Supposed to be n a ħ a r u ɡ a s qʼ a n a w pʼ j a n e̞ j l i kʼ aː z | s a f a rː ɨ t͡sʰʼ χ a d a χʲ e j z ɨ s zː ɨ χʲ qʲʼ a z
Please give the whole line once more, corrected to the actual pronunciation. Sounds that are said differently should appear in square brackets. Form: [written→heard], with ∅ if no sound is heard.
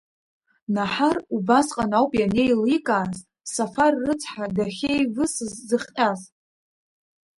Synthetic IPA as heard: n a ħ a r u [ɡ→b] a s qʼ a n a w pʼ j a n e̞ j l i kʼ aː z | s a f a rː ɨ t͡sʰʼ [χ→ħ] a d a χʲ e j [z→v] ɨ s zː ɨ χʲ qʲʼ a z